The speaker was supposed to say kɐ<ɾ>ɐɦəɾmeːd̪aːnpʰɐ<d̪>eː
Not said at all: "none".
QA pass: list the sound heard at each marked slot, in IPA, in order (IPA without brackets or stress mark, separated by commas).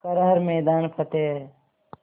ɾ, t̪